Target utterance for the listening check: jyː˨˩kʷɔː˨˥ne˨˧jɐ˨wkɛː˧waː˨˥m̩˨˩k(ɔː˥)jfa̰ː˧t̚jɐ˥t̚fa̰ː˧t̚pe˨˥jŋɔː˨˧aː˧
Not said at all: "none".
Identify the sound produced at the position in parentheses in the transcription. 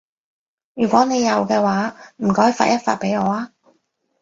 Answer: ɔː˨˥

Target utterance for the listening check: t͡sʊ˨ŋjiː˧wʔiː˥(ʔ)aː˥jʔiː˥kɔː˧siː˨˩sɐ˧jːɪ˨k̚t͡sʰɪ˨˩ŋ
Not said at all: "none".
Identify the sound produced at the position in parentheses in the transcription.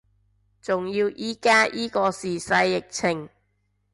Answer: k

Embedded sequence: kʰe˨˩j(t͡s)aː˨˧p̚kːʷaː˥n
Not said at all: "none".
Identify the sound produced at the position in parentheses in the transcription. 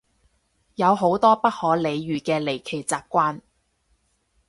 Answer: t͡s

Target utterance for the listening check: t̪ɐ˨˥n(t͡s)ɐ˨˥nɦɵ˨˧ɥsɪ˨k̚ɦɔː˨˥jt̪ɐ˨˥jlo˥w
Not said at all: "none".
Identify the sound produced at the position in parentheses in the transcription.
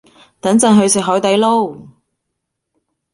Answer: t͡s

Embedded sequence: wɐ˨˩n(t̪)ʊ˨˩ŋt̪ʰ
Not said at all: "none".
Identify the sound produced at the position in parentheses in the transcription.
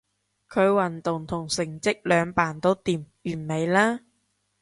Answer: t̪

